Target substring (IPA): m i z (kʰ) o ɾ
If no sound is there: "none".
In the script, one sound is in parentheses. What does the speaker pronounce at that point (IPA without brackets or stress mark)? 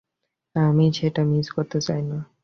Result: k